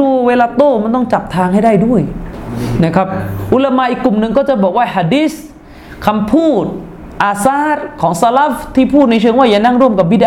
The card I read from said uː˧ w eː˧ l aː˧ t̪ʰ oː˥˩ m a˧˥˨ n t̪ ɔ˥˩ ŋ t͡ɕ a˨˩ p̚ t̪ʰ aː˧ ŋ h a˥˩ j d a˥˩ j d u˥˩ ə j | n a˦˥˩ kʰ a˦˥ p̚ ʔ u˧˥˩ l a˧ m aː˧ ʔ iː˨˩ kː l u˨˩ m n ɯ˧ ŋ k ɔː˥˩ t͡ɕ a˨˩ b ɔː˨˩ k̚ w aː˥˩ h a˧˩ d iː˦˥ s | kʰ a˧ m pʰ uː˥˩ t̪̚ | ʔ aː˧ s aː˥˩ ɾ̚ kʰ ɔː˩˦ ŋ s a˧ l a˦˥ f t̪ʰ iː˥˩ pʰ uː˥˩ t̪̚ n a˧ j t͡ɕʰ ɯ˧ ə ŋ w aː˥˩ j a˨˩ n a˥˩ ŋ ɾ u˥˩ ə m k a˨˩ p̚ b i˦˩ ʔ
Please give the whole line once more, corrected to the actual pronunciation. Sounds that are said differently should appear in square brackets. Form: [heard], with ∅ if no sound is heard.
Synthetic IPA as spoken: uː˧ w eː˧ l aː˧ [t̪] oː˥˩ m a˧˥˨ n t̪ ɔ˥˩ ŋ t͡ɕ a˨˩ p̚ t̪ʰ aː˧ ŋ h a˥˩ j d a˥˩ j d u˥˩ ə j | n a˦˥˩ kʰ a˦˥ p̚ ʔ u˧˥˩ l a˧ m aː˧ ʔ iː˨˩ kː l u˨˩ m n ɯ˧ ŋ k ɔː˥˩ t͡ɕ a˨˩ b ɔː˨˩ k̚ w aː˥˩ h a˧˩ d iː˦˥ s | kʰ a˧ m pʰ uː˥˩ t̪̚ | ʔ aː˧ s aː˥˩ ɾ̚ kʰ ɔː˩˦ ŋ s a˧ l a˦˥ f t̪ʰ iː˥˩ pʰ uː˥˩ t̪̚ n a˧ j t͡ɕʰ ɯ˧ ə ŋ w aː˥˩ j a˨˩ n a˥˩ ŋ ɾ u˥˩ ə m k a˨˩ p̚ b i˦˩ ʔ